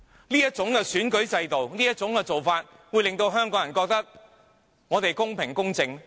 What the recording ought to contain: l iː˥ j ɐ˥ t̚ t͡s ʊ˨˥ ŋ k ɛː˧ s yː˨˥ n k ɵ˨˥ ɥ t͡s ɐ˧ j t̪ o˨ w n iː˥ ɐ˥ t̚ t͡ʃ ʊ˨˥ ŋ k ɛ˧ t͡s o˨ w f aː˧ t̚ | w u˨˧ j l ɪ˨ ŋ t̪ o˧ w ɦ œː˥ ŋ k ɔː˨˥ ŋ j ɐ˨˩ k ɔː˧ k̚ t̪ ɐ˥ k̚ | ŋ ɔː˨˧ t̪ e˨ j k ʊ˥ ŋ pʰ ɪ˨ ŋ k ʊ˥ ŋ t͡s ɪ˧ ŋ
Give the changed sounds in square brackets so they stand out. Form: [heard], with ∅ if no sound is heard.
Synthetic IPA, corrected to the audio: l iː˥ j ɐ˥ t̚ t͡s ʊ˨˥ ŋ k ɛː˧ s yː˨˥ n k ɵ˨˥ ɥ t͡s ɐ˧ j t̪ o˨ w n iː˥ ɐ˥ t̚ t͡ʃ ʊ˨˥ ŋ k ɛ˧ t͡s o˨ w f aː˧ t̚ | w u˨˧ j l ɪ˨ ŋ t̪ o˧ w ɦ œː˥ ŋ k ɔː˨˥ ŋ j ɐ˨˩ k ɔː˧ k̚ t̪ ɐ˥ k̚ | ŋ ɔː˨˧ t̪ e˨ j k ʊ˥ ŋ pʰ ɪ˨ ŋ k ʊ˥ ŋ t͡s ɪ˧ ŋ